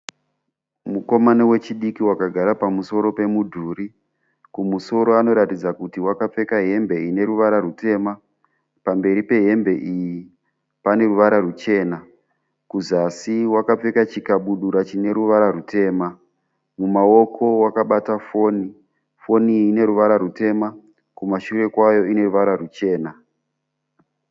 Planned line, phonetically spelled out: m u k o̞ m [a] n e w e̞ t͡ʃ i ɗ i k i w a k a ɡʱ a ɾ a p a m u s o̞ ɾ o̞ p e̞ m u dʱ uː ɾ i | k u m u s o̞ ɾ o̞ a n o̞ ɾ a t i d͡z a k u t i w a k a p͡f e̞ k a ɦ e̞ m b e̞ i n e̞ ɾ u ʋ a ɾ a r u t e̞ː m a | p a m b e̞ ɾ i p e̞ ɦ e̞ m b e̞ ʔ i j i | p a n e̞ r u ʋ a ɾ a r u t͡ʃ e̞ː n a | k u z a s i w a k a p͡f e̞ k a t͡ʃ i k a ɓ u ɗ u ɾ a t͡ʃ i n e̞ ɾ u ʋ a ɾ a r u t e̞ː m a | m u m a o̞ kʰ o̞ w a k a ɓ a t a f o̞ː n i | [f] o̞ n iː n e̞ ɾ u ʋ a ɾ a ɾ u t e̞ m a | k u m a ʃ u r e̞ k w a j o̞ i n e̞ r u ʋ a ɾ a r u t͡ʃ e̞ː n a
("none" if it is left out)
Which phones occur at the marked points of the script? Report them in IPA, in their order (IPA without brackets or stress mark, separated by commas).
a, f